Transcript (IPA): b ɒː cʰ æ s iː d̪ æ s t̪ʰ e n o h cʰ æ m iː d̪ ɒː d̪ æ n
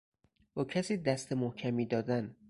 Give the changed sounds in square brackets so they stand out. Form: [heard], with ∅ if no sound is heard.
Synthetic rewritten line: b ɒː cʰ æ s iː d̪ æ s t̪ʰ e [m] o h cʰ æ m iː d̪ ɒː d̪ æ n